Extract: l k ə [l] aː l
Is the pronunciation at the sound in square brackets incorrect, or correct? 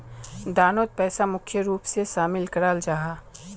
incorrect